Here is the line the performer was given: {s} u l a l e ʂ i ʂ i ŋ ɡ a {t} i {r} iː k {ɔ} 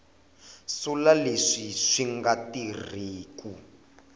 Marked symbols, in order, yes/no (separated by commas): yes, yes, yes, no